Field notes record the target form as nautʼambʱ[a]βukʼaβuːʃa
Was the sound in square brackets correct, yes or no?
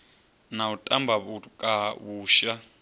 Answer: yes